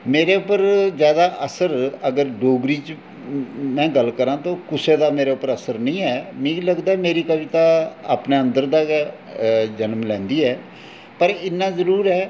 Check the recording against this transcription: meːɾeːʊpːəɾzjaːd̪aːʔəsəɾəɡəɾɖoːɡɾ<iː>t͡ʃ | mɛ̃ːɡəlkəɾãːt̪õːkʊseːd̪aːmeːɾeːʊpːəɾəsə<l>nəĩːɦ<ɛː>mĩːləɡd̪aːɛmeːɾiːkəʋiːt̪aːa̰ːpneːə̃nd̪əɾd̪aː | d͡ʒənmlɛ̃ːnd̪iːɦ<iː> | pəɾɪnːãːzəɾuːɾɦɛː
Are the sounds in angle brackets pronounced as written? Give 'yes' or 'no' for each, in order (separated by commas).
yes, no, yes, no